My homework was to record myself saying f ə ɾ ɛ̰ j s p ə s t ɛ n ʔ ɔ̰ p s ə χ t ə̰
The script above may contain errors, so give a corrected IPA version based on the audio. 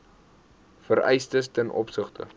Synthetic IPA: f ə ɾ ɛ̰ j s t ə s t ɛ n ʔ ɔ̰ p s ə χ t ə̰